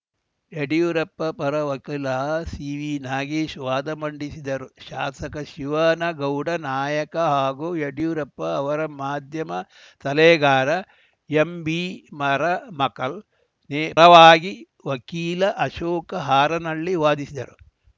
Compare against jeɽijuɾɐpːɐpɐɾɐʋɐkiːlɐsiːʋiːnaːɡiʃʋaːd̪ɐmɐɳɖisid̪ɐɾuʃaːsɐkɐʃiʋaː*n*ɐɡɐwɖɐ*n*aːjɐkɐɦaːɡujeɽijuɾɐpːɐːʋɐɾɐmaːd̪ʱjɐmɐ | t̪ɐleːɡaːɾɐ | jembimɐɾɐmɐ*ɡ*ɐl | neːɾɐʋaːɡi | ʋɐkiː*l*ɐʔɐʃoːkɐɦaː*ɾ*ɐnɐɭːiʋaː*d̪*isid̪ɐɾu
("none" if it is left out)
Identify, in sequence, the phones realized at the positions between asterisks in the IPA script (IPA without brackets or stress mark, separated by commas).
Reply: n, n, k, l, ɾ, d̪